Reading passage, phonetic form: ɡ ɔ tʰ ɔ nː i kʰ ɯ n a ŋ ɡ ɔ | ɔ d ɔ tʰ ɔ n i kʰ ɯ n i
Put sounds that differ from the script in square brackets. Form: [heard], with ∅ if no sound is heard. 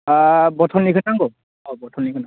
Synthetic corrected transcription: [b] ɔ tʰ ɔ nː i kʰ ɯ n a ŋ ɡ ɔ | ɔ [b] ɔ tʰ ɔ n i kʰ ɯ n [a]